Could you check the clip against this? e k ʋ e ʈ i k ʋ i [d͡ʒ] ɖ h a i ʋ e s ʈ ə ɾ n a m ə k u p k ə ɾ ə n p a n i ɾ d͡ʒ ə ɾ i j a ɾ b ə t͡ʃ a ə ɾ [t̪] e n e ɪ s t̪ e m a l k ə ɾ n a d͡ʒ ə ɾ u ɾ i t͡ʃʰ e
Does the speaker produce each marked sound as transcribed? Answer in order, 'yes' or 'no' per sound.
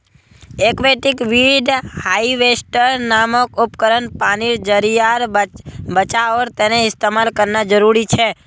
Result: no, yes

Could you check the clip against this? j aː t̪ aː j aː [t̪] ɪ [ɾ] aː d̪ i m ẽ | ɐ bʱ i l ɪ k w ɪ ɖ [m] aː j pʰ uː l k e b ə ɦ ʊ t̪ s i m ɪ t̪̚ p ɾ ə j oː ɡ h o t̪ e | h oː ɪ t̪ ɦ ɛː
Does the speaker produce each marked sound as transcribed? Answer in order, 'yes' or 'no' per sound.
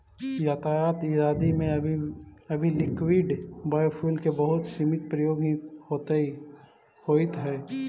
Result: yes, yes, no

